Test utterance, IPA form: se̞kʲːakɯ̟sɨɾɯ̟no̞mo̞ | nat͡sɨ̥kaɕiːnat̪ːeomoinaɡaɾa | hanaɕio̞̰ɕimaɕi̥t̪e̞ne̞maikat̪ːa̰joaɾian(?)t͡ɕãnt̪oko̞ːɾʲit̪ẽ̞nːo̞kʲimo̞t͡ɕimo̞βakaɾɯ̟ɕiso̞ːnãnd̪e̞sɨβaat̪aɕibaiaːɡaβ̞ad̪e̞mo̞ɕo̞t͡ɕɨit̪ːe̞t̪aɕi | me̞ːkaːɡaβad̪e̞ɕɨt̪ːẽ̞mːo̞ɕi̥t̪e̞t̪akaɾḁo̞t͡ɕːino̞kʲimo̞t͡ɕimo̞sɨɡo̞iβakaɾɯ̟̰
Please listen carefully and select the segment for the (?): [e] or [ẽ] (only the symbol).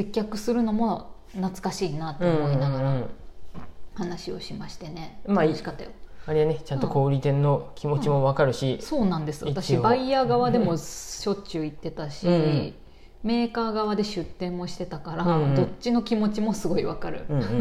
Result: e